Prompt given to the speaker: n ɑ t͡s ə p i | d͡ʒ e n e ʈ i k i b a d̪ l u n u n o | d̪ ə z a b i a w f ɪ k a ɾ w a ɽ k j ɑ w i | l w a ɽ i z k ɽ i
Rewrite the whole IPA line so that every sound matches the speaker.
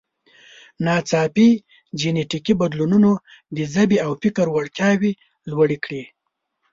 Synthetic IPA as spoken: n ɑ t͡s ɑ p i | d͡ʒ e n e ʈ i k i b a d̪ l u n u n o | d̪ ə z a b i a w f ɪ k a ɾ w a ɽ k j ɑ w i | l w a ɽ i k ɽ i